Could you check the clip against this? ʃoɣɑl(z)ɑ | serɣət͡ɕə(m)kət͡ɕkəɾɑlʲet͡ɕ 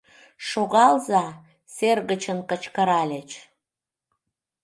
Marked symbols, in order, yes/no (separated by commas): yes, no